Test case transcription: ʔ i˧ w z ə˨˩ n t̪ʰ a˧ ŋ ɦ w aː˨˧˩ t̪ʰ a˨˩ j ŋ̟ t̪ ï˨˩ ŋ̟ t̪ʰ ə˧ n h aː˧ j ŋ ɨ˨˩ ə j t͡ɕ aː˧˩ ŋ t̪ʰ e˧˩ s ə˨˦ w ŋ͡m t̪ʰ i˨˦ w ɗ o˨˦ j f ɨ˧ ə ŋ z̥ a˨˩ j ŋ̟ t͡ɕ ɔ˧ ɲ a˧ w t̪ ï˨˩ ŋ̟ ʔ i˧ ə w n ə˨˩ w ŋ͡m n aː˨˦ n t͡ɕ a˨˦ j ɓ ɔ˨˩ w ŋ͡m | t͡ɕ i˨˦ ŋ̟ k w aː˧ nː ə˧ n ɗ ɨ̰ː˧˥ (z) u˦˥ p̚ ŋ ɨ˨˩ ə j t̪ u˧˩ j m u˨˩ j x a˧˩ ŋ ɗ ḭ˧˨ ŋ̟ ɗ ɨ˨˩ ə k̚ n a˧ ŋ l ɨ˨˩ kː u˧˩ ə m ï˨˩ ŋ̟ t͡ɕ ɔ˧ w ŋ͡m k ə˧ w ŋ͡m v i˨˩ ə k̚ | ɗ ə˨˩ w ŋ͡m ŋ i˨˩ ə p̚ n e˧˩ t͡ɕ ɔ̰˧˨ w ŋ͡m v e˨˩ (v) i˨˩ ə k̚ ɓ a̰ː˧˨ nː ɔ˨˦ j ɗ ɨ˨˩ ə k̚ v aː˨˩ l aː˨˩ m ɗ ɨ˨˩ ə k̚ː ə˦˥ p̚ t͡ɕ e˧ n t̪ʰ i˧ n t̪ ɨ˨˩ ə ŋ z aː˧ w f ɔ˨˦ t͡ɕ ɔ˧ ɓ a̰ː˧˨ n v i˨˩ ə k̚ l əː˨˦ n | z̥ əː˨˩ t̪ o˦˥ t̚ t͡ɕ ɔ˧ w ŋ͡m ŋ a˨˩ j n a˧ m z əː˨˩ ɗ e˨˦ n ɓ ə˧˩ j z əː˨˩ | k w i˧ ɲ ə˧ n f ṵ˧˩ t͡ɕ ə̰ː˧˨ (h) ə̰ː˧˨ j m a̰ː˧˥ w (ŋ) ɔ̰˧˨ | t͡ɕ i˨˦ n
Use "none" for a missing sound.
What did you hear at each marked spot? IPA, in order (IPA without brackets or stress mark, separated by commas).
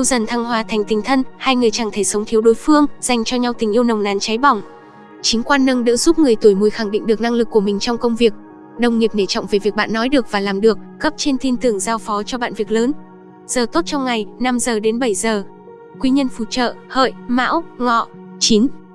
z, v, h, ŋ